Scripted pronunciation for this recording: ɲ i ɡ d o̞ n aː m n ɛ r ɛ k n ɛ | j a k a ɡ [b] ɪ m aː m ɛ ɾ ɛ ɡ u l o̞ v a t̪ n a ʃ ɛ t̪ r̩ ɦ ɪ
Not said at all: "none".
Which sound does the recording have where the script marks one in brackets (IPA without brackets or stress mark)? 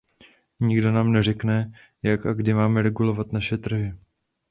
d